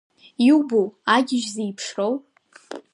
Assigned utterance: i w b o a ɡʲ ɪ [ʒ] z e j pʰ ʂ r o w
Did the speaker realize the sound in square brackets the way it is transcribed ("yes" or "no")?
yes